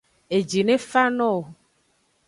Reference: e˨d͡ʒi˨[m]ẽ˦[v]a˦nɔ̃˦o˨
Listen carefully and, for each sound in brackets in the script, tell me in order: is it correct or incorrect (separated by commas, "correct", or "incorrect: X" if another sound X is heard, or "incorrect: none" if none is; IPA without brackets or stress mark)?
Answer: incorrect: n, incorrect: f